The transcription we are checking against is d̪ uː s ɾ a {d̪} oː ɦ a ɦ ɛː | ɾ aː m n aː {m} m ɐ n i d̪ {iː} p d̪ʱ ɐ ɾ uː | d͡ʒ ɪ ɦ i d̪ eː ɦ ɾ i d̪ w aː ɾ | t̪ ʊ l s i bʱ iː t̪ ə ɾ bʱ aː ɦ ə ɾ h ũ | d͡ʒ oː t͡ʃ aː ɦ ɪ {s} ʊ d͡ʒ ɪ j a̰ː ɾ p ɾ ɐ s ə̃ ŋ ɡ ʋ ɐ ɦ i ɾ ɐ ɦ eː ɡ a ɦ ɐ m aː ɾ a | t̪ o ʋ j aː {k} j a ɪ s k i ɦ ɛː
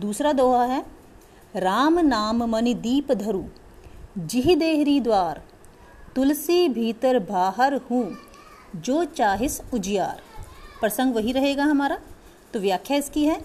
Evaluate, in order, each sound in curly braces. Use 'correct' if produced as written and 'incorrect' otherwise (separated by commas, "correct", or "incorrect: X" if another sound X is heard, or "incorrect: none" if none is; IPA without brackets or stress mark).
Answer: correct, correct, correct, correct, incorrect: kʰ